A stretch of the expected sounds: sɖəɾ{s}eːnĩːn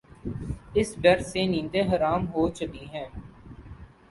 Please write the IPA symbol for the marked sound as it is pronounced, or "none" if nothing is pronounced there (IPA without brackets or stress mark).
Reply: s